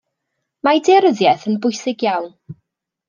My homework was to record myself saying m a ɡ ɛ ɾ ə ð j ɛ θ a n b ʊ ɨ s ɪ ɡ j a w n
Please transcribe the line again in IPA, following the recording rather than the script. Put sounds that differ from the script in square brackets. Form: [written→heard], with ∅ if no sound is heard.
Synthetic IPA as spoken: m a [ɡ→d] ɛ ɾ ə ð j ɛ θ [a→ə] n b ʊ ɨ s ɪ ɡ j a w n